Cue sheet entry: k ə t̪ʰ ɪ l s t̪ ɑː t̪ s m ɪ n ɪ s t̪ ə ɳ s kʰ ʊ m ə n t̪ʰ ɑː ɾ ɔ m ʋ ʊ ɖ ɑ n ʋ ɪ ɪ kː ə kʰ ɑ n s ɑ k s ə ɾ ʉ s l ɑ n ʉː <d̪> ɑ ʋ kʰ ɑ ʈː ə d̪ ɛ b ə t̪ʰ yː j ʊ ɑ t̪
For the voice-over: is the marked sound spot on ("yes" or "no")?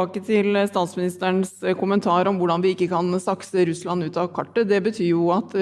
no